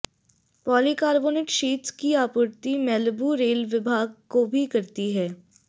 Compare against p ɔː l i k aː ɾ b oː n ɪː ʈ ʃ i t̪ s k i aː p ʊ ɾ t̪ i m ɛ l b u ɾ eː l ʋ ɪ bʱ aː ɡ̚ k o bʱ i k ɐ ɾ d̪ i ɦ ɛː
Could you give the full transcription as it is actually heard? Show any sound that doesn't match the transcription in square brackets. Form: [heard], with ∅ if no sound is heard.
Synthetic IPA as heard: p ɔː l i k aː ɾ b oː n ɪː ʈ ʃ [iː] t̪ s k i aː p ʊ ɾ t̪ i m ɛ l b u ɾ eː l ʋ ɪ bʱ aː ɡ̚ k o bʱ i k ɐ ɾ [t̪] i ɦ ɛː